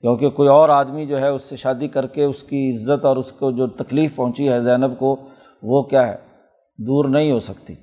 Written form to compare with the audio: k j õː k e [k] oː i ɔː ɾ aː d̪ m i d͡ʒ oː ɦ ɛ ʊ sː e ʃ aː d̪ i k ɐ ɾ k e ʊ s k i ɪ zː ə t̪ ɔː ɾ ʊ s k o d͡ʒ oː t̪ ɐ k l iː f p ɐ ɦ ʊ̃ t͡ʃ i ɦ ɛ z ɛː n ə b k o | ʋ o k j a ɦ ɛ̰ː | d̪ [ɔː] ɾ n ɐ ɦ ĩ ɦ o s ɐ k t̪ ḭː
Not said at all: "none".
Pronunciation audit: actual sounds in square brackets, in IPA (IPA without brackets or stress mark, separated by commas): k, uː